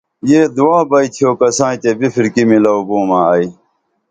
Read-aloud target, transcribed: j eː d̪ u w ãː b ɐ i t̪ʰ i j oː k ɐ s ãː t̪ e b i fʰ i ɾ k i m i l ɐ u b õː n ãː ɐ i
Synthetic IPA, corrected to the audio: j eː d̪ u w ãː b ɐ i t̪ʰ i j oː k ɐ s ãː t̪ e b i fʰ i ɾ k i m i l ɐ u b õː m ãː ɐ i

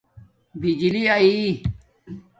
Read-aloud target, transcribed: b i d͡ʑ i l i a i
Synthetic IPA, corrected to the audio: b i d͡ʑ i l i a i

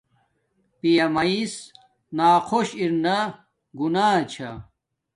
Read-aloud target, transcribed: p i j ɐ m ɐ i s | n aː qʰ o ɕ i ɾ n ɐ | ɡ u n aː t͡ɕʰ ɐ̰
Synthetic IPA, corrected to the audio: p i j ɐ m ɐ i s | n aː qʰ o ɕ i ɾ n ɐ | ɡ u n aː t͡ɕʰ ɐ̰

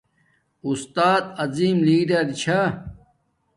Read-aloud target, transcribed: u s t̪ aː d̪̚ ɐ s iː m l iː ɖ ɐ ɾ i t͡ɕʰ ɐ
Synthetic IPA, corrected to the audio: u s t̪ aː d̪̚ ɐ z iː m l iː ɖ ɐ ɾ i t͡ɕʰ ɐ

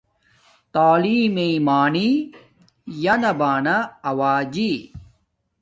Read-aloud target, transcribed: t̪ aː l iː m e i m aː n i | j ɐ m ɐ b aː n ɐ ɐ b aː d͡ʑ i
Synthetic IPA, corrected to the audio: t̪ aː l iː m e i m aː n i | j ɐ n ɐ b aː n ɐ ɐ w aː d͡ʑ i

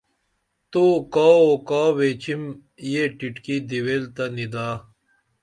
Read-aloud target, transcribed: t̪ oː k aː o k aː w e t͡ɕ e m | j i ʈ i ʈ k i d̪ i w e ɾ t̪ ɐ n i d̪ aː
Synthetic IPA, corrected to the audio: t̪ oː k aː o k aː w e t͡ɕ i m | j e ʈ i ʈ k i d̪ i w e l t̪ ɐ n i d̪ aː

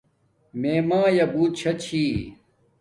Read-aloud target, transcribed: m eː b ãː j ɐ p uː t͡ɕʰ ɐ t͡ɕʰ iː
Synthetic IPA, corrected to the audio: m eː m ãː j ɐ b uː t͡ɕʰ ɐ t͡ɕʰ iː

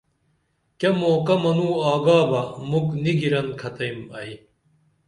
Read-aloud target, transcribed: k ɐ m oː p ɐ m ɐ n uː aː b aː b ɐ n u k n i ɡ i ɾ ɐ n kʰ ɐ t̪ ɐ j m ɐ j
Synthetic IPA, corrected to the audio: k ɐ m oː k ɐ m ɐ n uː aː ɡ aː b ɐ m u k n i ɡ i ɾ ɐ n kʰ ɐ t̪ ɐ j m ɐ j

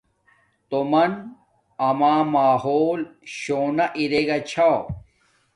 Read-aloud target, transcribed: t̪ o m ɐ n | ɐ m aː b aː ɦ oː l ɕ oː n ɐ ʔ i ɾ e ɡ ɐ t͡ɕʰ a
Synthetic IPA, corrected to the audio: t̪ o m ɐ n | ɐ m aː m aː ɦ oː l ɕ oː n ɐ ʔ i ɾ e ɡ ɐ t͡ɕʰ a

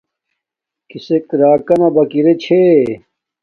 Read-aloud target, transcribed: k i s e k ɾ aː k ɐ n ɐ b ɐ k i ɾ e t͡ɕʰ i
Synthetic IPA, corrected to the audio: k i s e k ɾ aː k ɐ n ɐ b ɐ k i ɾ e t͡ɕʰ e

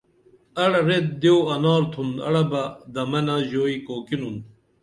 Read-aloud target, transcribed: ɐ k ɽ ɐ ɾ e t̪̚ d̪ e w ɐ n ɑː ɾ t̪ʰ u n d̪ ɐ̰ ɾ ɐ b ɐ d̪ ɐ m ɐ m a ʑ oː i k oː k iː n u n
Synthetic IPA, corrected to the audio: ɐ ɽ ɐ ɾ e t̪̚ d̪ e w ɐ n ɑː ɾ t̪ʰ u n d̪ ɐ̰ ɽ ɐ b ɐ d̪ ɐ m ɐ n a ʑ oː i k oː k i n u n

